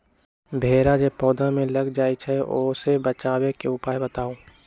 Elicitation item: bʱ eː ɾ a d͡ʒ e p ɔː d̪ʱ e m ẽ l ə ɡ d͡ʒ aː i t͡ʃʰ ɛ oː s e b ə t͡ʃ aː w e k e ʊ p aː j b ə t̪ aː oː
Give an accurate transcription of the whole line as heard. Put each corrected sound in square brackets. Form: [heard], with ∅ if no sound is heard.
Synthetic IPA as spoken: bʱ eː ɾ a d͡ʒ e p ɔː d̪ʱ [a] m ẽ l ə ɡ d͡ʒ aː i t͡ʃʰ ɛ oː s e b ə t͡ʃ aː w e k e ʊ p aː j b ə t̪ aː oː